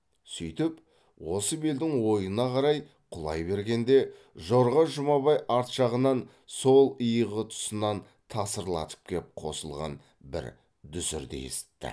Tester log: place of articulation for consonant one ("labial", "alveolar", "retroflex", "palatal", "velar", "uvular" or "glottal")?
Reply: alveolar